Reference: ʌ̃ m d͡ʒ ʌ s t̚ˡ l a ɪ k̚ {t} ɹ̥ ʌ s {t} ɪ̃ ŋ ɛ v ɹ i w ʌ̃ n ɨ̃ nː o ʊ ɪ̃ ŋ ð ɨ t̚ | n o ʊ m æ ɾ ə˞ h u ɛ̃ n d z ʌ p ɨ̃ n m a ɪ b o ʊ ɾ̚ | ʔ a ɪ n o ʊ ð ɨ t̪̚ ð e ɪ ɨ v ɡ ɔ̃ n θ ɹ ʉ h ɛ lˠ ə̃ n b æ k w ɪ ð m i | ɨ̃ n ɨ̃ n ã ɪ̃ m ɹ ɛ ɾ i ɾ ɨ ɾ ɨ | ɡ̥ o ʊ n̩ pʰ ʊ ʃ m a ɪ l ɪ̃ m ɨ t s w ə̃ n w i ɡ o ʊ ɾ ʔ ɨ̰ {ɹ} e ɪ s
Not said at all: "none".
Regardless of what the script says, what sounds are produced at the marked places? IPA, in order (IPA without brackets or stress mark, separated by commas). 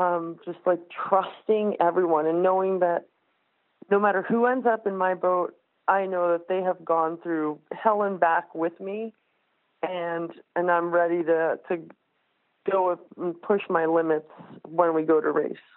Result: tʰ, t, ɹ